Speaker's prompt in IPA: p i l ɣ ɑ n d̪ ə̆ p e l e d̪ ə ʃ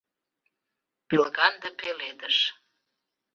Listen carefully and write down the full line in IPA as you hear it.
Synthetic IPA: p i l ɣ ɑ n d̪ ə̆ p e l e d̪ ə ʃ

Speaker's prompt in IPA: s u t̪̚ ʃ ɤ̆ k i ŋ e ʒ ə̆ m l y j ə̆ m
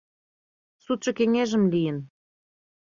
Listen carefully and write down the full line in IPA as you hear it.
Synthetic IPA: s u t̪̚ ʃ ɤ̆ k e ŋ e ʒ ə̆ m l i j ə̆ n

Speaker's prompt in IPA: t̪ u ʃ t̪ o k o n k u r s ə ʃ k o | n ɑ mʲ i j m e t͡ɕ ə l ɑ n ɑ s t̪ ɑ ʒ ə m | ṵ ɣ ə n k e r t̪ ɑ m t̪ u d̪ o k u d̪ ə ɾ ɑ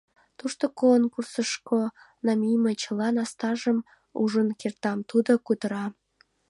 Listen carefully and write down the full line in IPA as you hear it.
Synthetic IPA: t̪ u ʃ t̪ o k o n k u r s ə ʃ k o | n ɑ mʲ i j m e t͡ɕ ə l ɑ n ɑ s t̪ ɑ ʒ ə m | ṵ ʒ ə n k e r t̪ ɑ m t̪ u d̪ o k u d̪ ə ɾ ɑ

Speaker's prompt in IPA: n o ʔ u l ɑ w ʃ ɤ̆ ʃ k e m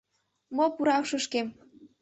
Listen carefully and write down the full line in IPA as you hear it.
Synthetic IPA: m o p u ɾ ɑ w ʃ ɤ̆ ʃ k e m

